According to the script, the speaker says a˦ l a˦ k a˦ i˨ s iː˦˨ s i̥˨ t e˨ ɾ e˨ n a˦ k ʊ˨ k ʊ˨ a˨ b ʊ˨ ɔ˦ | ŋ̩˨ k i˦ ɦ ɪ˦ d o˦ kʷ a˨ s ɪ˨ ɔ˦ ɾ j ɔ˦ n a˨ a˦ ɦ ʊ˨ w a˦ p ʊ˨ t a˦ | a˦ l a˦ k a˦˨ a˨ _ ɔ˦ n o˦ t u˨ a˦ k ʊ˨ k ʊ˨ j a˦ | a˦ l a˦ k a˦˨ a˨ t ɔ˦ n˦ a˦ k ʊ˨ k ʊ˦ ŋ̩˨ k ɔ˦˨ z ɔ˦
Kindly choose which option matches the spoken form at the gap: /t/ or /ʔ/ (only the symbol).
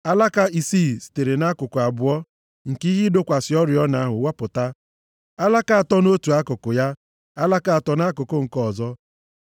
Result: t